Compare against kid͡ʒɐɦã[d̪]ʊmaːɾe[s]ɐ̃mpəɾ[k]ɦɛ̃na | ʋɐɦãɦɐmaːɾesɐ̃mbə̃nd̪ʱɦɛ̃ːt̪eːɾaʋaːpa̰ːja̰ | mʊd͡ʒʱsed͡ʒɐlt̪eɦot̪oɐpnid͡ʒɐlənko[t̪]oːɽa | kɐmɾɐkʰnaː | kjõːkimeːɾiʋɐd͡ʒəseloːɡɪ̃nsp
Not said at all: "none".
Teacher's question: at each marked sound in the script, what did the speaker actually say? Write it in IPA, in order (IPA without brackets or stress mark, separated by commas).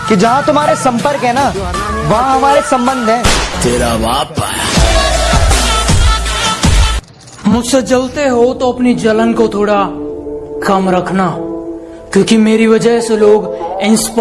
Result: t̪, s, k, t̪ʰ